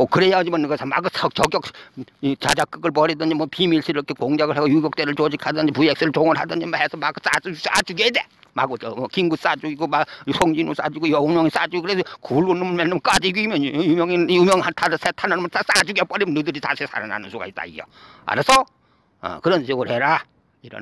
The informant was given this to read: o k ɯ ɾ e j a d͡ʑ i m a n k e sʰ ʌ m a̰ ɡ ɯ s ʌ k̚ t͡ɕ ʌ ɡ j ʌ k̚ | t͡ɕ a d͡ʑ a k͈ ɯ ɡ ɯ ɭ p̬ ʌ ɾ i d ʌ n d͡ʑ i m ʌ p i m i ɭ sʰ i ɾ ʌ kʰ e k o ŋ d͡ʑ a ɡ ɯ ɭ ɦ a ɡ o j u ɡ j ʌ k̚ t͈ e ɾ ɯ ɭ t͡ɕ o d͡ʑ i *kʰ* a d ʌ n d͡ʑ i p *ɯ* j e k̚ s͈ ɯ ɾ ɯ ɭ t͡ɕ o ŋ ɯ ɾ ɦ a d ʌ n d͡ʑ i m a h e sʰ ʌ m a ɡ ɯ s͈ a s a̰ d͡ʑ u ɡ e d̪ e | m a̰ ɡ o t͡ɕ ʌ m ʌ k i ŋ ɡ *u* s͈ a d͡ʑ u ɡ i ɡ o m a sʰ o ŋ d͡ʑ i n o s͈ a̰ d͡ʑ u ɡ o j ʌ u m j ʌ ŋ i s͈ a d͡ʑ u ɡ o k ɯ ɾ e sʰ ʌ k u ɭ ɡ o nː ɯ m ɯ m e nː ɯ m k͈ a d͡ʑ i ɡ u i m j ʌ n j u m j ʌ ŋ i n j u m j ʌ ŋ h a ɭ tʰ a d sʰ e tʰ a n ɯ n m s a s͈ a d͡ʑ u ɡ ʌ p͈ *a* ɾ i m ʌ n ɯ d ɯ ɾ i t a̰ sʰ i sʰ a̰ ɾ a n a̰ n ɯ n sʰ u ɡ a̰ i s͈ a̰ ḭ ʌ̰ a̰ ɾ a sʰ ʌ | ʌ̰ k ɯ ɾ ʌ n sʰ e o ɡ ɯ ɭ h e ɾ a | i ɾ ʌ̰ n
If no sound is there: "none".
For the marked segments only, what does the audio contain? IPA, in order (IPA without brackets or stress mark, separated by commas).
kʰ, u, u, ʌ